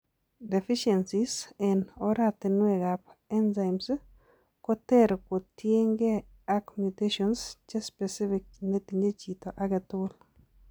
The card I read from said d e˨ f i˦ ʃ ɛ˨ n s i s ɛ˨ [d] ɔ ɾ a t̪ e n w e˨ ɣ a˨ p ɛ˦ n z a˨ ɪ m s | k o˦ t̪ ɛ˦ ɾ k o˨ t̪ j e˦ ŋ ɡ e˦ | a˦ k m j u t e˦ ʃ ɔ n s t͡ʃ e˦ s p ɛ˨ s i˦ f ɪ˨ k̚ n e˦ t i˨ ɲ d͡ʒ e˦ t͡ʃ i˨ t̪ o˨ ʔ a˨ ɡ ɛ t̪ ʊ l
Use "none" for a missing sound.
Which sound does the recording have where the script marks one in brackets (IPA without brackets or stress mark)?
n